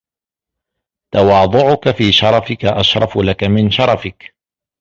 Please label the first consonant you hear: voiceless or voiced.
voiceless